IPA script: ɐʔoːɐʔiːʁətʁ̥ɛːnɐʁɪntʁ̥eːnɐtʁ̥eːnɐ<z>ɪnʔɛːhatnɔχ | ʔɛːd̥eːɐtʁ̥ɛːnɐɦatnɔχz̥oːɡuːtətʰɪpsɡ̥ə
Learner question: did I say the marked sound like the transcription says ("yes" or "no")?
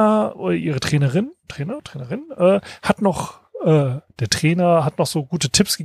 no